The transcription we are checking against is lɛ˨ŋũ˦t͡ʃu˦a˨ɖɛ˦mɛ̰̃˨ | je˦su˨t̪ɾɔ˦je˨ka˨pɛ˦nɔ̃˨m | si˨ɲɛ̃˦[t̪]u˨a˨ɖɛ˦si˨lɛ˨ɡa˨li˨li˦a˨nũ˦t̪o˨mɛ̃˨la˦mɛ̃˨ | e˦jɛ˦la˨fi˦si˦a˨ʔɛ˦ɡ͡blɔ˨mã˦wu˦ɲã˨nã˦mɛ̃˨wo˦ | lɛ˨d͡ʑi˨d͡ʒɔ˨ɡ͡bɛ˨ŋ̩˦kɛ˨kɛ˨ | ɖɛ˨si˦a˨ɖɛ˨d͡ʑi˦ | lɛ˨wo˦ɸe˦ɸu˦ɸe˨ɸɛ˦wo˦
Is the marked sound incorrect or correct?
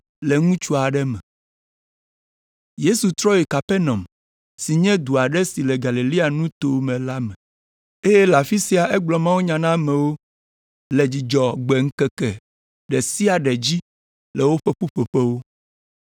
incorrect